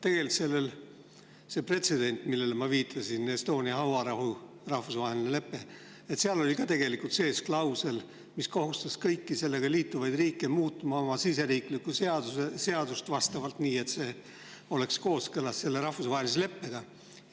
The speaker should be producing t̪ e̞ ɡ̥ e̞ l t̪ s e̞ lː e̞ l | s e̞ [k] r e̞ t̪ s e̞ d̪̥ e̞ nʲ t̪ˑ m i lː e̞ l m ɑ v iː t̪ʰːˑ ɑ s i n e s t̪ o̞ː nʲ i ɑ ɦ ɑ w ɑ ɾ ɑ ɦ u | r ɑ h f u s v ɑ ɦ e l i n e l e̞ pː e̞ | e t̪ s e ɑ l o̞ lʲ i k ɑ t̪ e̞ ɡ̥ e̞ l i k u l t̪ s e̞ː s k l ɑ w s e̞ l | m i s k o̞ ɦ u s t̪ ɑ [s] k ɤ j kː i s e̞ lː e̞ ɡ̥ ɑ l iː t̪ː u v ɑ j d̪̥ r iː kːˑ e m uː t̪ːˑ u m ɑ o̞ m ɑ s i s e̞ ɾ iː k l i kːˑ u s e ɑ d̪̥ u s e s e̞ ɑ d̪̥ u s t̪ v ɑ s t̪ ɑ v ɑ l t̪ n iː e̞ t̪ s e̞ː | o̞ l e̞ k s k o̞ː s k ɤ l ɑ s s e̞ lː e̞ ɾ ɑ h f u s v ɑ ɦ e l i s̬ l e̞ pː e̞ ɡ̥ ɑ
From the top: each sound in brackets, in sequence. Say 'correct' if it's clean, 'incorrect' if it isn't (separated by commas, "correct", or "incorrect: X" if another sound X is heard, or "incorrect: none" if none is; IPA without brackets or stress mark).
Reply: incorrect: p, correct